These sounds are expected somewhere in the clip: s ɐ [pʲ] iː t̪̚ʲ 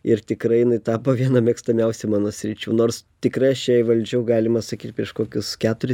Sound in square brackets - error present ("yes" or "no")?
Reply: yes